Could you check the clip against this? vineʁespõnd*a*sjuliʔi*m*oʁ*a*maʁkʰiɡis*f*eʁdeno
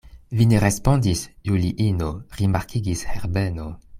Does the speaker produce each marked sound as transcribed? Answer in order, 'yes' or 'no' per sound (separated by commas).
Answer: no, no, no, no